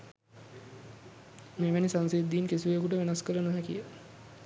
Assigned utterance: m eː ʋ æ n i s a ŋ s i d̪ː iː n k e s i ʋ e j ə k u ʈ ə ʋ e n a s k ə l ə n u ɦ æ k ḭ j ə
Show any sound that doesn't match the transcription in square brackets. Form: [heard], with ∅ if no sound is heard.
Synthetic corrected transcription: m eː ʋ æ n i s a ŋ s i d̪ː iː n k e s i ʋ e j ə k u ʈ ə ʋ e n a s k ə l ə n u ɦ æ k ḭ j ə